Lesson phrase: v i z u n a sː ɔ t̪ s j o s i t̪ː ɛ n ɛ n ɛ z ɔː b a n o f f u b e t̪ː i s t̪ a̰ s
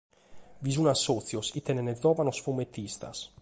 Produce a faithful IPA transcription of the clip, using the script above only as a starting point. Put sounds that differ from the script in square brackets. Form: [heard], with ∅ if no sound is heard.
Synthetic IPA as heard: v i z u n a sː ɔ t̪ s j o s i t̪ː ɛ n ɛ n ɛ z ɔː [v] a n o [s] f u [m] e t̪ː i s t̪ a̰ s